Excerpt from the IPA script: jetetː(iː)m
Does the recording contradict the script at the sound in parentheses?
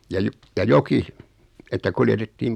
no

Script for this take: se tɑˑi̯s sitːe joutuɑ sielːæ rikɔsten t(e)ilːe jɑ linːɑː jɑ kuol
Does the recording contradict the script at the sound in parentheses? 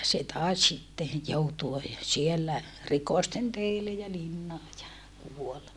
no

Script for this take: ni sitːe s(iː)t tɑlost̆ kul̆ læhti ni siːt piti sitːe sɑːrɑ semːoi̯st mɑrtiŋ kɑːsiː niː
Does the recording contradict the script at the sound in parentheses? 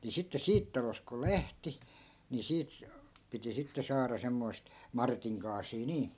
no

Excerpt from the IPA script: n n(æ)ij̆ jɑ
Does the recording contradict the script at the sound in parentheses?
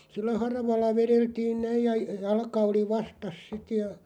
no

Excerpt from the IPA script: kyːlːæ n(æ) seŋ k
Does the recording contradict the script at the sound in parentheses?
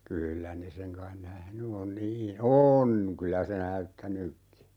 yes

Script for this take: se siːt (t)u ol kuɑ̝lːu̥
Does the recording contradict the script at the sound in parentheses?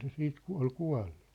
yes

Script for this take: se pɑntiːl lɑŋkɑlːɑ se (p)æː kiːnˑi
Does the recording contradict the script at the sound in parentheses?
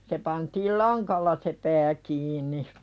no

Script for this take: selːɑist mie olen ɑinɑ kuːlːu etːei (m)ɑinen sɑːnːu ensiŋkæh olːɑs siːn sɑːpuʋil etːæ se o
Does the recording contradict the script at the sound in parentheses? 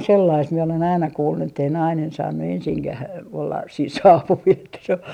yes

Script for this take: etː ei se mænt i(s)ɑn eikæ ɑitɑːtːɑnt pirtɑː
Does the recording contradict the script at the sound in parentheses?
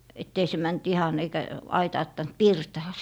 yes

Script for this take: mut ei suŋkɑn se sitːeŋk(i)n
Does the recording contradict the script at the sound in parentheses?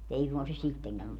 yes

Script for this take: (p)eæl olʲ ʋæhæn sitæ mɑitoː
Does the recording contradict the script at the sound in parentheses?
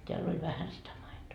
yes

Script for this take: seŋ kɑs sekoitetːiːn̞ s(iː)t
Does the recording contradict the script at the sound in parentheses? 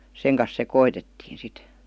yes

